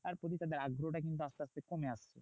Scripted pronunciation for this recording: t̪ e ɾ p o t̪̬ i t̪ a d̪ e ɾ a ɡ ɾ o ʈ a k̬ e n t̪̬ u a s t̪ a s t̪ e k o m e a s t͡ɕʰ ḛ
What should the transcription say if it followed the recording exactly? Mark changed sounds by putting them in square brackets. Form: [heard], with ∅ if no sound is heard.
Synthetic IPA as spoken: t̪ [a] ɾ p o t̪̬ i t̪ a d̪ e ɾ a ɡ ɾ o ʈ a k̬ [i] n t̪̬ u a s t̪ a s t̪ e k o m e a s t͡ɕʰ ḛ